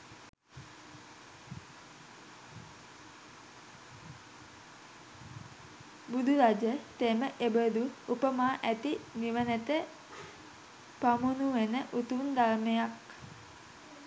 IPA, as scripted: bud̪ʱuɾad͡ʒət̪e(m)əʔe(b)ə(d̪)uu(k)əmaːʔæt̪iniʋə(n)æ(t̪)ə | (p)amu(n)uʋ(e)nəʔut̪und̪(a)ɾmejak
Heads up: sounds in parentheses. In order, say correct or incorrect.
correct, correct, correct, incorrect: p, correct, correct, correct, correct, correct, correct

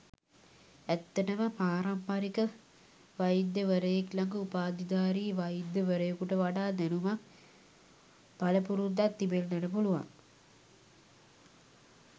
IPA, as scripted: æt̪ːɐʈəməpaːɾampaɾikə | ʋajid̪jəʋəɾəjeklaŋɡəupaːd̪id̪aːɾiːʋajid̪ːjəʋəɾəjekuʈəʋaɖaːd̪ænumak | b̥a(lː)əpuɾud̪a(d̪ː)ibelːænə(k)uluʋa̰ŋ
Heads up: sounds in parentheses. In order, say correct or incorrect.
incorrect: l, incorrect: t̪ː, incorrect: p

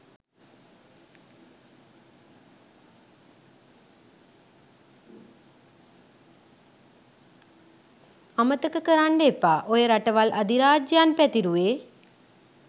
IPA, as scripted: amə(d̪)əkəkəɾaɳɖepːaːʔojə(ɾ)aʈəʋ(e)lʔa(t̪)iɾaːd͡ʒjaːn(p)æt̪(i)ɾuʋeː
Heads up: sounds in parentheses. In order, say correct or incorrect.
incorrect: t̪, correct, incorrect: a, incorrect: d̪, correct, correct

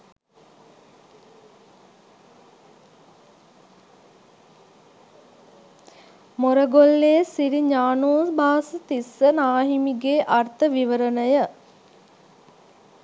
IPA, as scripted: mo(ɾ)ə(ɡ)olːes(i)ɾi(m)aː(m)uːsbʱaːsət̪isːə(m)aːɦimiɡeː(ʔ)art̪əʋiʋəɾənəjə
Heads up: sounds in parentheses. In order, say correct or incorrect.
correct, correct, correct, incorrect: ɲ, incorrect: n, incorrect: n, correct

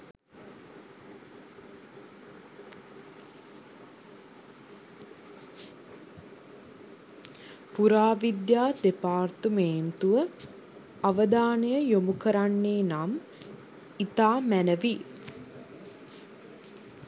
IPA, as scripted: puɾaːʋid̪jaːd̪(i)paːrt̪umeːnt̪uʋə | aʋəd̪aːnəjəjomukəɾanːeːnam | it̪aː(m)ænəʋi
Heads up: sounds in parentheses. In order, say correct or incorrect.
incorrect: e, correct

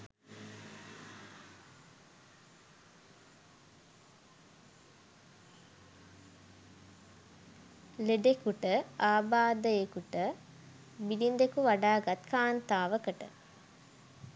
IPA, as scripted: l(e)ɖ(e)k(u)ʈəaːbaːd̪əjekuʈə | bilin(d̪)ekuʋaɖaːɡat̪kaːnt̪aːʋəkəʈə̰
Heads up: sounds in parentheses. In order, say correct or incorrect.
correct, correct, correct, correct

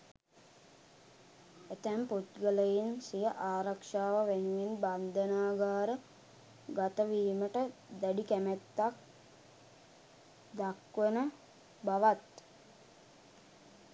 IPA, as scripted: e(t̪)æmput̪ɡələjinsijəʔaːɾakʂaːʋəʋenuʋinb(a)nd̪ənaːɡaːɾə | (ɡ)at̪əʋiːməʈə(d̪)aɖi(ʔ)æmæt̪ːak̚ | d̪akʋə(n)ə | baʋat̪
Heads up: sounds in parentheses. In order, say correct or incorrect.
correct, correct, correct, correct, incorrect: k, correct

